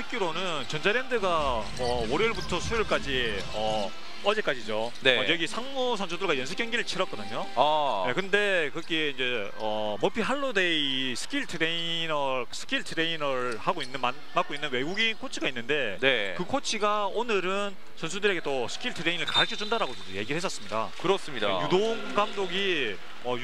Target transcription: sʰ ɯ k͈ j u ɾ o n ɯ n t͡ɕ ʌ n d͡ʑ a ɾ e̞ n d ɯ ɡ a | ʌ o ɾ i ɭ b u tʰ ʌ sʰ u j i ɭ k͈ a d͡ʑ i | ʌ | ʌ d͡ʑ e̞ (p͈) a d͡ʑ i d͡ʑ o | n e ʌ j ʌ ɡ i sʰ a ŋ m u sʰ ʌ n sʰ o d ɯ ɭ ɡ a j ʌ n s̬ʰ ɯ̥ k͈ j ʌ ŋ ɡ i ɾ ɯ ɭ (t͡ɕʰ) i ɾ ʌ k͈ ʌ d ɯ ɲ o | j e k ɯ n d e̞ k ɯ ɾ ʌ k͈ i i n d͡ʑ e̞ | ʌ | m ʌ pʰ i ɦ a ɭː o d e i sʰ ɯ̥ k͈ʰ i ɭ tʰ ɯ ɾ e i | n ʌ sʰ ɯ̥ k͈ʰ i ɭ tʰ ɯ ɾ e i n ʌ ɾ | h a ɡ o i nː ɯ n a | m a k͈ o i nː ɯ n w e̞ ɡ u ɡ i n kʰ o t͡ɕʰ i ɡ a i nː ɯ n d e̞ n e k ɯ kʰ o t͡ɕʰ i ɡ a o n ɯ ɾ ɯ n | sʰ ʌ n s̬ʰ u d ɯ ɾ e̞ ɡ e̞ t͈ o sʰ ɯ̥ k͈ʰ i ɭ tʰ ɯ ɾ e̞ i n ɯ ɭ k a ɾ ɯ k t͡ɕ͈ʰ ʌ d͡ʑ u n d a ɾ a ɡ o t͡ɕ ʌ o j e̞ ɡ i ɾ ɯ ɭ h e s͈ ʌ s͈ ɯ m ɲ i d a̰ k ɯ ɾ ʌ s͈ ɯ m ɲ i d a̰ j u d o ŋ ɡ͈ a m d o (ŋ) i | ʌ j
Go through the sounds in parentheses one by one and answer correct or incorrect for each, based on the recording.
incorrect, correct, incorrect

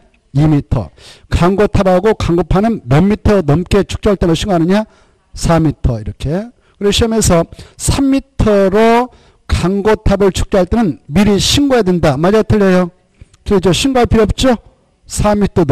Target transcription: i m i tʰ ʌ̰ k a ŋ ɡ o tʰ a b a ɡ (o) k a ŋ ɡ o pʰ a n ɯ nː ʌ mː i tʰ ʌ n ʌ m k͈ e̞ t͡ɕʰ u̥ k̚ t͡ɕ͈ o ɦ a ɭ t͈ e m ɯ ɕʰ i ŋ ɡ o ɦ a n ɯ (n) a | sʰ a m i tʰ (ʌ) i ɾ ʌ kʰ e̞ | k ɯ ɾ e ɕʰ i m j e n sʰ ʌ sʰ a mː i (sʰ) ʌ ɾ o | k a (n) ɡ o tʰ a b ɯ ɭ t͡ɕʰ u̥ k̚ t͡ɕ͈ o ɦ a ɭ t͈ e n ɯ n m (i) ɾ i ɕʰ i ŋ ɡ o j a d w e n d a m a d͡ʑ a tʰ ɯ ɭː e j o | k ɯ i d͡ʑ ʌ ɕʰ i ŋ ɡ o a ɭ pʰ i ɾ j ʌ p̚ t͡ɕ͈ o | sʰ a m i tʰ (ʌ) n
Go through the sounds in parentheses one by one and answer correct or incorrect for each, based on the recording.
correct, incorrect, correct, incorrect, incorrect, correct, correct

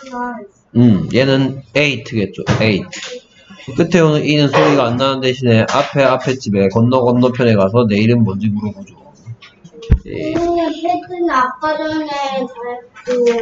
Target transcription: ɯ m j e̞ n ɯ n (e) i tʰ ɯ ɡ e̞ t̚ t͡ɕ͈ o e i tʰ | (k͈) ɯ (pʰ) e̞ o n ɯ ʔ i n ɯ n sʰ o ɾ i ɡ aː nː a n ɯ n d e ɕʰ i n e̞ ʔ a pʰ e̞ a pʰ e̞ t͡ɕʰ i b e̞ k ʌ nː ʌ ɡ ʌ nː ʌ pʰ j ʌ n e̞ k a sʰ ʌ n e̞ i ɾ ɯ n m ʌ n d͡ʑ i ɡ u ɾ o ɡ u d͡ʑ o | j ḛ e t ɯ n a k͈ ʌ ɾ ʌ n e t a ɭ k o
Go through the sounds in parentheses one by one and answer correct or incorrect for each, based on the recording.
correct, correct, incorrect

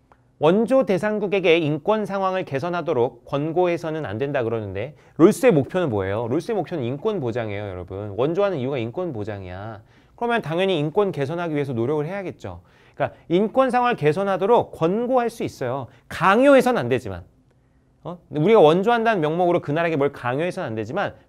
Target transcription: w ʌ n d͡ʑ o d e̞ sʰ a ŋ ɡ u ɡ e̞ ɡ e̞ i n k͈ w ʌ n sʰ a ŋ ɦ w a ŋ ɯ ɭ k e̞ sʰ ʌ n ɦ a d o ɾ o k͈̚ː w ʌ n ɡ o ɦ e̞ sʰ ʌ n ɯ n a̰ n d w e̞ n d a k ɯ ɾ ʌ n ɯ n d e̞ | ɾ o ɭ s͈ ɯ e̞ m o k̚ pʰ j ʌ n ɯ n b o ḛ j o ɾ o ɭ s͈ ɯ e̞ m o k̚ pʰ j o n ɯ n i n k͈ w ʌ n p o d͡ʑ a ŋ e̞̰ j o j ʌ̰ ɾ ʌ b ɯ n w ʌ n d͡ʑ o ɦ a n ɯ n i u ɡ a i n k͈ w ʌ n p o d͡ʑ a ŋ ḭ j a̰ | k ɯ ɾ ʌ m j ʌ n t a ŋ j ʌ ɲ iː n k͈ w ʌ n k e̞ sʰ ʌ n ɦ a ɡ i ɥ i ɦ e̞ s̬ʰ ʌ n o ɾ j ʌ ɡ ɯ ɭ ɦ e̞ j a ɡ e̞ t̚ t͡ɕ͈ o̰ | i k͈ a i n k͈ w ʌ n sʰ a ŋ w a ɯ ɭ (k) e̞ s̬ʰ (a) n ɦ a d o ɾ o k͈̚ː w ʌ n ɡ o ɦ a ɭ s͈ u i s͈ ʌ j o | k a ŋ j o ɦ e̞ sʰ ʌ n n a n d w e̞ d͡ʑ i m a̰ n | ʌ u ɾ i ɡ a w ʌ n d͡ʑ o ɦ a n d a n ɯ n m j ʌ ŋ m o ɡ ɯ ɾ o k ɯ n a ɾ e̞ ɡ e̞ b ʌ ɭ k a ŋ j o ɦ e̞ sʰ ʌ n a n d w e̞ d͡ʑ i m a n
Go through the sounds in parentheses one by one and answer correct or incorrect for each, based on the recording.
correct, incorrect

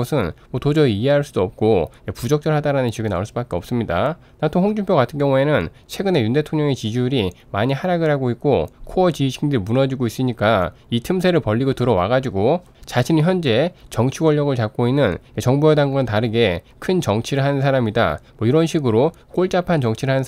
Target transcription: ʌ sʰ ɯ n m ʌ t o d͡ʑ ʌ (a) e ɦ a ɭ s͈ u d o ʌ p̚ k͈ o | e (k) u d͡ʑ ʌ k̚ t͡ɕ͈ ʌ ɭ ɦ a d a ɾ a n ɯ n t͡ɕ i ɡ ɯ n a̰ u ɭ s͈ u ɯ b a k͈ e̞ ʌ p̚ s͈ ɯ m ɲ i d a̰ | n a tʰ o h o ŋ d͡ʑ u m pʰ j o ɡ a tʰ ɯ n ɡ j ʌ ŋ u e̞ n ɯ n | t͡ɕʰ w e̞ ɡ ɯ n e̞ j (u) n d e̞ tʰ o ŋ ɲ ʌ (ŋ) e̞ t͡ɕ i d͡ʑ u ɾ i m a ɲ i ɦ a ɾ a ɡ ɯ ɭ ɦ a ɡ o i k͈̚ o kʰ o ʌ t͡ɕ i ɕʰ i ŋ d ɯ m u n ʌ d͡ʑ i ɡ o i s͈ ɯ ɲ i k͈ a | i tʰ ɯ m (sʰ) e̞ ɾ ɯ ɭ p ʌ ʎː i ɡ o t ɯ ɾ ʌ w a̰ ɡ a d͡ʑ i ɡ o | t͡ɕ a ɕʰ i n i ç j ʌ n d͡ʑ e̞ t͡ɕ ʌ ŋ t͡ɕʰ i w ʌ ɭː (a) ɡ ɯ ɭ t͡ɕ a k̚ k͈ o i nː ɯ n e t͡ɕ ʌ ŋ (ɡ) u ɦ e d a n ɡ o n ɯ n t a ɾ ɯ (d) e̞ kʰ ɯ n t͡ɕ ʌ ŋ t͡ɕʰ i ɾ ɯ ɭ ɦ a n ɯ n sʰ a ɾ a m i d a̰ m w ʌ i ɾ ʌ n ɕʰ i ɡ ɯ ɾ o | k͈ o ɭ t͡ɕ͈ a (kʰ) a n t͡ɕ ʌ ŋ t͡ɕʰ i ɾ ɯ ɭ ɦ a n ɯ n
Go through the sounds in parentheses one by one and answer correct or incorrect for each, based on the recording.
incorrect, incorrect, correct, correct, correct, incorrect, incorrect, incorrect, incorrect

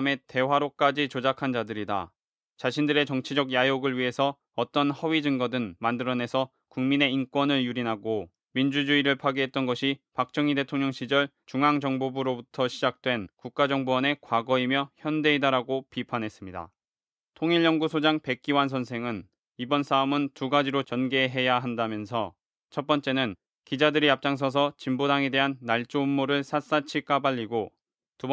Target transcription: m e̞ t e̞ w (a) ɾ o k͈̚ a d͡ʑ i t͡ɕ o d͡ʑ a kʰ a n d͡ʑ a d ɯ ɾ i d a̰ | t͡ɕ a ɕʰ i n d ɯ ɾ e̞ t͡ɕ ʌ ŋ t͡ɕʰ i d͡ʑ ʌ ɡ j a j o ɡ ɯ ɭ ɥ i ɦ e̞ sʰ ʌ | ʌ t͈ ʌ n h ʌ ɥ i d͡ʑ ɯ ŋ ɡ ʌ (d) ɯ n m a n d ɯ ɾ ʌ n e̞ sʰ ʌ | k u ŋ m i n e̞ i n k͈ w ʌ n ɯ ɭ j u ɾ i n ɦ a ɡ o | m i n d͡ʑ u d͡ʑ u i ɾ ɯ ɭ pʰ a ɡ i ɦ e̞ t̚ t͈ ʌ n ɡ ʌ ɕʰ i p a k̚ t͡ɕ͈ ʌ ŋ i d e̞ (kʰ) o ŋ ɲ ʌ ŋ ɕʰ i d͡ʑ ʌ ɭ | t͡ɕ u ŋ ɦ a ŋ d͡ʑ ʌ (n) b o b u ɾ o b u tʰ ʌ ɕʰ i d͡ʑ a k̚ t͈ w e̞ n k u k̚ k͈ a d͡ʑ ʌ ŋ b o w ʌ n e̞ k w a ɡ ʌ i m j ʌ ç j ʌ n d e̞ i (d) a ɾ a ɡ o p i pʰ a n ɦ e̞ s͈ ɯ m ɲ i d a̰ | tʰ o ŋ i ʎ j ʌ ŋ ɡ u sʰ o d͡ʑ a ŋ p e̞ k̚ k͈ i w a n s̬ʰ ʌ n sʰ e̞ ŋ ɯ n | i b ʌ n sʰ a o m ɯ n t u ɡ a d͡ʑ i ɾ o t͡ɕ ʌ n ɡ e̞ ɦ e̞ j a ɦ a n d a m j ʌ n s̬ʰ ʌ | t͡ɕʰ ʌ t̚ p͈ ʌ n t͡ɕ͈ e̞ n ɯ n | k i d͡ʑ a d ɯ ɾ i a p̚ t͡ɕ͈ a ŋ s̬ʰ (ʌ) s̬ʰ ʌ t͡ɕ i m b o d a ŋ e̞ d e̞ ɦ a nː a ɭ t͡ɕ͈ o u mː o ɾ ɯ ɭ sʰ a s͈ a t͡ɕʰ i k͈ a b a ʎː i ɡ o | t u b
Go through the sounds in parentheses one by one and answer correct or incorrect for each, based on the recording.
correct, correct, incorrect, incorrect, correct, correct

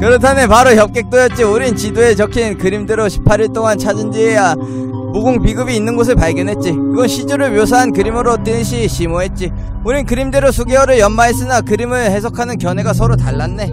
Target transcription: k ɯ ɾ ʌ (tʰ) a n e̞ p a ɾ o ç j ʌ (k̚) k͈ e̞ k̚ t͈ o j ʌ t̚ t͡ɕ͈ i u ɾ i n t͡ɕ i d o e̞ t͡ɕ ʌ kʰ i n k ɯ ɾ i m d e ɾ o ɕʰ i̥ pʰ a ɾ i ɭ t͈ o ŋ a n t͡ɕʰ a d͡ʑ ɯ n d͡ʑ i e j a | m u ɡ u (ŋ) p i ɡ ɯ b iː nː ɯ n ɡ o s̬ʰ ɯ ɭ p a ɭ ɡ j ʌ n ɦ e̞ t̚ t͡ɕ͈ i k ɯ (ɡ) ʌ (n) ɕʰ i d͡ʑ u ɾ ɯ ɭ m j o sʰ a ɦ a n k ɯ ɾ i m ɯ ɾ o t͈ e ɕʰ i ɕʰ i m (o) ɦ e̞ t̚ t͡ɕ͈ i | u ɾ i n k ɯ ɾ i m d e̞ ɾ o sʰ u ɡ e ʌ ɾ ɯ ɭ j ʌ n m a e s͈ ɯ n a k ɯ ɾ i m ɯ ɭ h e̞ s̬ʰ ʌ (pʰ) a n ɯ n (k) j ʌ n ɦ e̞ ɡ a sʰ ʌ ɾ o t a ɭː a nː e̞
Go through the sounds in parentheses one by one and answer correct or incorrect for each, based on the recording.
correct, incorrect, correct, correct, correct, correct, incorrect, correct

